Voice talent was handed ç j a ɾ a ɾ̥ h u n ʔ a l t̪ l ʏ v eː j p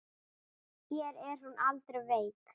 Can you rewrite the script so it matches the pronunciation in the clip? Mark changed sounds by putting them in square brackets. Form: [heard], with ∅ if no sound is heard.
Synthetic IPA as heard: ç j [ɛ] ɾ [ɛ] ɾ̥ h u n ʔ a l t̪ [ɾ] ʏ v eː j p